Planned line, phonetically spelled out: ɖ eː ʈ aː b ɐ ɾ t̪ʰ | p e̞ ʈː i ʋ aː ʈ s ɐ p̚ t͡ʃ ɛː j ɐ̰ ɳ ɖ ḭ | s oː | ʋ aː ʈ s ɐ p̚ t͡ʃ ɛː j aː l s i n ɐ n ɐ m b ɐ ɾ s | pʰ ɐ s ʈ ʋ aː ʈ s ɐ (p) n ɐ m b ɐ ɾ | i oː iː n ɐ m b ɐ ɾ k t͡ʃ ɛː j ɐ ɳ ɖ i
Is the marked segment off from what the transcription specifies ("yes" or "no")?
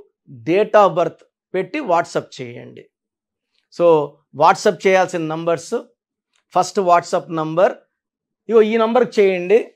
no